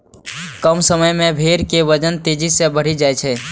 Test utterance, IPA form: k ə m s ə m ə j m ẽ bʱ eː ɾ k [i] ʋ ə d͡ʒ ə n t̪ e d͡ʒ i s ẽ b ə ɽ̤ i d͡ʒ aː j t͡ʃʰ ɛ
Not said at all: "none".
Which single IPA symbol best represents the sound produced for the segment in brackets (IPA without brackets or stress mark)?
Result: e